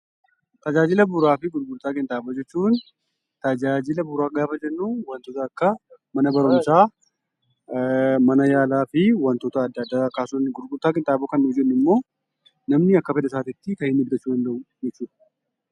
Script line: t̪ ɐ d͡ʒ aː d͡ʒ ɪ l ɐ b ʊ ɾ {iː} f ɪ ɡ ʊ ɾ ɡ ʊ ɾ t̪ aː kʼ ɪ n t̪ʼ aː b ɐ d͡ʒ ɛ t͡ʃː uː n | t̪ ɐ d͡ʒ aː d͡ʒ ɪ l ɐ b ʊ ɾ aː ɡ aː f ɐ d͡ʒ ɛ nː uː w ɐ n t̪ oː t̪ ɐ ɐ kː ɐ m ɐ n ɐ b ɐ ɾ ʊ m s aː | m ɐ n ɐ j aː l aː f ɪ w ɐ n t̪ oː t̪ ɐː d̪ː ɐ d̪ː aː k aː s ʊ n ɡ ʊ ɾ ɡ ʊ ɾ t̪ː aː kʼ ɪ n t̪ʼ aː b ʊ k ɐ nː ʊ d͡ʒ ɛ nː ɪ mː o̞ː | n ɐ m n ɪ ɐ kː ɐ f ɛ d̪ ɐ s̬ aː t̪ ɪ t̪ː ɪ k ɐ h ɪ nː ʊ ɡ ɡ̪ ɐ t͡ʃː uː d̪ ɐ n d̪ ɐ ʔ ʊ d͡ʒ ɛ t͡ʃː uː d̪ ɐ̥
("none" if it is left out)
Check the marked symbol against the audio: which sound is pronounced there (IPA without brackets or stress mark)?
aː